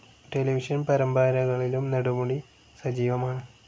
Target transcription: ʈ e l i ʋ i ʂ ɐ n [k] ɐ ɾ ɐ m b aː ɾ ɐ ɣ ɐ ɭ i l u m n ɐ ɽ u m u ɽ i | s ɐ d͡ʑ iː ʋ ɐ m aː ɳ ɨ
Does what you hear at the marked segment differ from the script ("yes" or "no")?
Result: yes